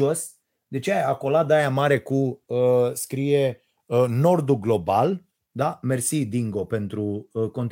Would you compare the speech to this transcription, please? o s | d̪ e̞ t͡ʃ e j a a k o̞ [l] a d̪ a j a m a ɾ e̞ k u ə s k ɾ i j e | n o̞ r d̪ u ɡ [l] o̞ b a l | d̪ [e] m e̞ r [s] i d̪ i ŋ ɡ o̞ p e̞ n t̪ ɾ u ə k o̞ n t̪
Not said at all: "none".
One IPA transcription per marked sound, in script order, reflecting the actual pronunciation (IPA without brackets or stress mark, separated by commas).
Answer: l, l, a, s